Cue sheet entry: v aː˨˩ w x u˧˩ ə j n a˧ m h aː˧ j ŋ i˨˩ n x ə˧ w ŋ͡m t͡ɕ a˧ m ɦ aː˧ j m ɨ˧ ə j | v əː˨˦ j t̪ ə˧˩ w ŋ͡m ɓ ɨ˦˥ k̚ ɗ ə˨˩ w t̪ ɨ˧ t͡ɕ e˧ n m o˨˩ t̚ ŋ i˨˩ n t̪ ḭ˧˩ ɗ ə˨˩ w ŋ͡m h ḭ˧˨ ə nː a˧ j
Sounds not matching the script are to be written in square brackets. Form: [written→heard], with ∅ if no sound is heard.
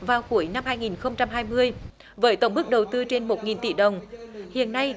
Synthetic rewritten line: v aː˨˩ w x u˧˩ ə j n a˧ m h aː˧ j ŋ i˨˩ n x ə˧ w ŋ͡m t͡ɕ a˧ m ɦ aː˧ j m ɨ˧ ə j | v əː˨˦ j t̪ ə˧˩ w ŋ͡m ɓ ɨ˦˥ k̚ ɗ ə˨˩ w t̪ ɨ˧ t͡ɕ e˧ n m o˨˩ t̚ ŋ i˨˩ n t̪ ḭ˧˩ ɗ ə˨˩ w ŋ͡m h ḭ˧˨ ə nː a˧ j